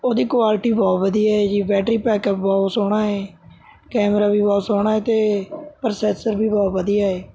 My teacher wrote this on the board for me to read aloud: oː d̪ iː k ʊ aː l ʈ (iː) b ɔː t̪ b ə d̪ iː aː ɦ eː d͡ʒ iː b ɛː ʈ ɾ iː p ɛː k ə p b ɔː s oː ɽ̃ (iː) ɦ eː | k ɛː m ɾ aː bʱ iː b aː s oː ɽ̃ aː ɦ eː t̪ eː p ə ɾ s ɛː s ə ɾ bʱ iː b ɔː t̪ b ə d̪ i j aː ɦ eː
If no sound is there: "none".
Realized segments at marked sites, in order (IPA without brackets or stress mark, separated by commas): iː, aː